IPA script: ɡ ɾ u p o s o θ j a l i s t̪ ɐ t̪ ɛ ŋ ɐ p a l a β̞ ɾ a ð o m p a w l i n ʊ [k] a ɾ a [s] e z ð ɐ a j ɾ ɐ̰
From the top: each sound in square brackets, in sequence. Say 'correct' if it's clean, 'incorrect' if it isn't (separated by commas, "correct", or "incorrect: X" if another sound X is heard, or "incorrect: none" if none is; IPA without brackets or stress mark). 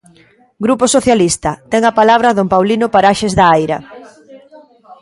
incorrect: p, incorrect: ʃ